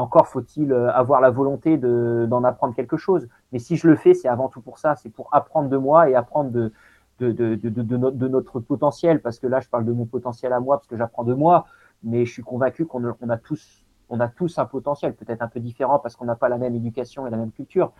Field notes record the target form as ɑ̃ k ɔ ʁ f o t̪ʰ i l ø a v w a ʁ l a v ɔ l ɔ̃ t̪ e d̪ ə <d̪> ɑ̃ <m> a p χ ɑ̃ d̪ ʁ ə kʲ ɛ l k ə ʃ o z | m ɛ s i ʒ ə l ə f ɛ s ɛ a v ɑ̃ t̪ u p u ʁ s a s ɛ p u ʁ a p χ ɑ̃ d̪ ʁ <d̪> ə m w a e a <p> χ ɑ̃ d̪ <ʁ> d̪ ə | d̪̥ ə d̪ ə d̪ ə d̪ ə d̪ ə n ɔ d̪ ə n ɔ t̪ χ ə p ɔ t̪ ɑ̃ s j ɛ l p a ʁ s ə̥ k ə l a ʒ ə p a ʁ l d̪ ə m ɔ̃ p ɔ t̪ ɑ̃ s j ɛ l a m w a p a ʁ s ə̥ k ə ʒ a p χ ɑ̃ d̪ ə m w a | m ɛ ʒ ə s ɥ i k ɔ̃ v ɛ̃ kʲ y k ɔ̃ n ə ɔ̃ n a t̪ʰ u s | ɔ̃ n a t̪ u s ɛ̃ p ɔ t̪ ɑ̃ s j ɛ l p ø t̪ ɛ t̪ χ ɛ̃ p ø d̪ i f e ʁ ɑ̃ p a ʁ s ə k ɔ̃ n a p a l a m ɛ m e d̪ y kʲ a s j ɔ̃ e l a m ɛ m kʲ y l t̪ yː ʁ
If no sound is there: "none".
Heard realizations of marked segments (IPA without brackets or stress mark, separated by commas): d̪, n, d̪, p, ʁ